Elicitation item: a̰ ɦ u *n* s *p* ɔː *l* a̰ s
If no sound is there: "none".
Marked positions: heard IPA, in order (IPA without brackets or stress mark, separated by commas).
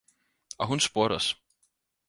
n, p, ɾ